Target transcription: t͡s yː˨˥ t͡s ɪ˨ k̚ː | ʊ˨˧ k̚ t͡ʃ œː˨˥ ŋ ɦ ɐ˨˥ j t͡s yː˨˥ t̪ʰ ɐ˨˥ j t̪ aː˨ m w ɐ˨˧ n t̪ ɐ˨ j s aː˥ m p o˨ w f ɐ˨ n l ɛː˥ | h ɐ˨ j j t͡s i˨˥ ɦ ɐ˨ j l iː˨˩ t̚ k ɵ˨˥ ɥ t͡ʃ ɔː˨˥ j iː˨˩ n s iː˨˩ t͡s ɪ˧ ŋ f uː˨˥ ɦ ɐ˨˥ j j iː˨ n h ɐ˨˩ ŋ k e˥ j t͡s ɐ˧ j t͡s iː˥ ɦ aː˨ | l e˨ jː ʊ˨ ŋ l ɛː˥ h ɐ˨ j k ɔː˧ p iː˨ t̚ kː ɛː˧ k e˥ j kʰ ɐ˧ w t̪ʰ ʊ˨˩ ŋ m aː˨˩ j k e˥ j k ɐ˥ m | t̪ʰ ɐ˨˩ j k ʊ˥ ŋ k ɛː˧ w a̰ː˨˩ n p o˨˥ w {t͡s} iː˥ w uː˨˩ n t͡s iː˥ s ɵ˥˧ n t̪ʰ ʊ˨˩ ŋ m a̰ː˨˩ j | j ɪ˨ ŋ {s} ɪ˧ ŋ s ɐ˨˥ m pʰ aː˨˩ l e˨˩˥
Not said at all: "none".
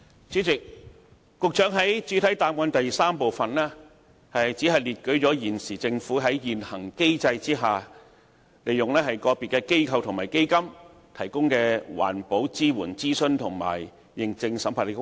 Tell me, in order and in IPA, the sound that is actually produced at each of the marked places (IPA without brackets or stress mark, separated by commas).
t͡s, t͡s